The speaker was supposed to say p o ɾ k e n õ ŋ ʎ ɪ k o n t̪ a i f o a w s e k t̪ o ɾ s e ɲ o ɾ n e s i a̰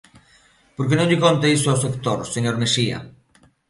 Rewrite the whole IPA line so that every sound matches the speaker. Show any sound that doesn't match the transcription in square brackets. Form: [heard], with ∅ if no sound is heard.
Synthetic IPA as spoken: p o ɾ k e n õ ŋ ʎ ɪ k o n t̪ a i [s] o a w s e k t̪ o ɾ s e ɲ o ɾ [m] e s i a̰